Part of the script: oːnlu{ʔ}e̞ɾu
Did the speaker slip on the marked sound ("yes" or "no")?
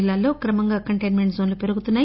yes